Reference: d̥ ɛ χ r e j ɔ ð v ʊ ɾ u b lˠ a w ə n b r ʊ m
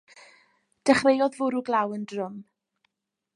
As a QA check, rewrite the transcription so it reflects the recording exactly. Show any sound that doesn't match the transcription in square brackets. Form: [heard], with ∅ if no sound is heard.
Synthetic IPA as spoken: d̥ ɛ χ r e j ɔ ð v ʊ ɾ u [ɡ] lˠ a w ə n [d] r ʊ m